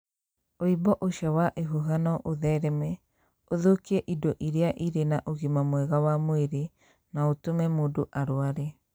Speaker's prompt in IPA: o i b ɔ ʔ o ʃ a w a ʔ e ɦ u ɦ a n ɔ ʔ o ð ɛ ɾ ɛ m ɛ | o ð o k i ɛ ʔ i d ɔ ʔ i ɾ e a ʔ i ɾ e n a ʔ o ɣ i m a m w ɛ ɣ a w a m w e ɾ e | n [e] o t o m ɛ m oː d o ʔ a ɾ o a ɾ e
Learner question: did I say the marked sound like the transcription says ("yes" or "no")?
no